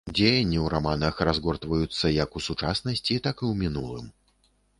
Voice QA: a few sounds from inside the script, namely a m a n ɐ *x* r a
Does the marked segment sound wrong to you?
no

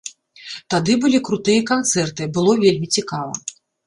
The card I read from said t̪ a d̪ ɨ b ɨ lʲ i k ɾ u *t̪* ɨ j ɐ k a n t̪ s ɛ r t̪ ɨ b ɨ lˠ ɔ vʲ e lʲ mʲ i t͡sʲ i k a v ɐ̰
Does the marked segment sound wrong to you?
no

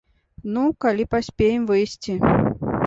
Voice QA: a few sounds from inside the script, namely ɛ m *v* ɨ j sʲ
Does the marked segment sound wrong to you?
no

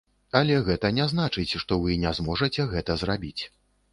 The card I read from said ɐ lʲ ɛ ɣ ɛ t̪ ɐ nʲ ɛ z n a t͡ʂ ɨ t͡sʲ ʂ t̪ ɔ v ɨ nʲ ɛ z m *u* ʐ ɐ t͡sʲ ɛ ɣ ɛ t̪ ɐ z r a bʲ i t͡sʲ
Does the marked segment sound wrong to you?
yes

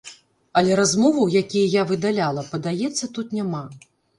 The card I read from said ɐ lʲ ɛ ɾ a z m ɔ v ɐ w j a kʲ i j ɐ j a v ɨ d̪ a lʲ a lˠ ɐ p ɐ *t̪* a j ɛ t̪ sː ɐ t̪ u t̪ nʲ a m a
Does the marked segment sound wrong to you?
yes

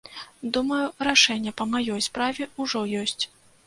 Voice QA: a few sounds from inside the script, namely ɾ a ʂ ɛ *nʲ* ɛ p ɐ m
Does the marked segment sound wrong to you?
yes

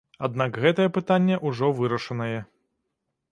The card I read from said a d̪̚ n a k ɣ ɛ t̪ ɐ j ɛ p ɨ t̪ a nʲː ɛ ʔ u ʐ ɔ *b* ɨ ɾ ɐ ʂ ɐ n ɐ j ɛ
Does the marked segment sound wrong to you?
yes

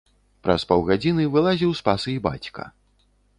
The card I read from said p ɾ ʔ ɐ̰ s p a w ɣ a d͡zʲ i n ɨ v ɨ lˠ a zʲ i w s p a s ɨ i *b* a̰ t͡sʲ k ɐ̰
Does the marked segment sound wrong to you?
no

